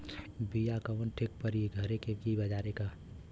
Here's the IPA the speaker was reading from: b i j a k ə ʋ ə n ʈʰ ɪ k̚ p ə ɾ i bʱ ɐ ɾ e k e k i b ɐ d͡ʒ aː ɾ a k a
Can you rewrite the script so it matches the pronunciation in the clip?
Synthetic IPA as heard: b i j a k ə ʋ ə n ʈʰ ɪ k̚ p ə ɾ i ɡʱ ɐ ɾ e k e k i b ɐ d͡ʒ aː ɾ e k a